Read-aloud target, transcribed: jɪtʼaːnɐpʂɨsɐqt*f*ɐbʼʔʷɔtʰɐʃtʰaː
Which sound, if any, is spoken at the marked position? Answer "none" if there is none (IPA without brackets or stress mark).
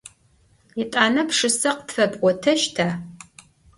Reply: f